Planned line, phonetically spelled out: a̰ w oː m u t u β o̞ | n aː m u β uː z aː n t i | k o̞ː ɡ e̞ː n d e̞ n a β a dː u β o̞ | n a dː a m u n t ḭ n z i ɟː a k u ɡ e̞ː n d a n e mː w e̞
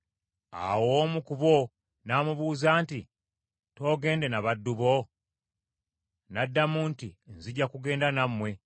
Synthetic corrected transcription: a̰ w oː m u k u β o̞ | n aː m u β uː z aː n t i | t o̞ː ɡ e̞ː n d e̞ n a β a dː u β o̞ | n a dː a m u n t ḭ n z i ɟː a k u ɡ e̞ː n d a n a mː w e̞